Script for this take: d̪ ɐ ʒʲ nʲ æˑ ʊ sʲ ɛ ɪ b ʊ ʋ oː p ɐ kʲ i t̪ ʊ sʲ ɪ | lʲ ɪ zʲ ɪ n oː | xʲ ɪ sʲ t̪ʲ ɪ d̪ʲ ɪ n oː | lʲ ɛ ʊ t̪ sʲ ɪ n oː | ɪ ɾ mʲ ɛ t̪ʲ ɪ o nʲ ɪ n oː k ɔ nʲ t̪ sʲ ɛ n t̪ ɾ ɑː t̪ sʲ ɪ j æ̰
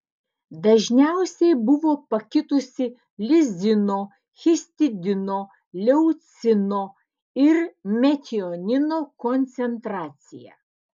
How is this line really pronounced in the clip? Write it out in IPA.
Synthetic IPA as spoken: d̪ ɐ ʒʲ nʲ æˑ ʊ sʲ ɛ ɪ b ʊ ʋ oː p ɐ kʲ ɪ t̪ ʊ sʲ ɪ | lʲ ɪ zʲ ɪ n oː | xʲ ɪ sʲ t̪ʲ ɪ d̪ʲ ɪ n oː | lʲ ɛ ʊ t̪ sʲ ɪ n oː | ɪ ɾ mʲ ɛ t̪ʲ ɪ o nʲ ɪ n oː k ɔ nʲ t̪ sʲ ɛ n t̪ ɾ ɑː t̪ sʲ ɪ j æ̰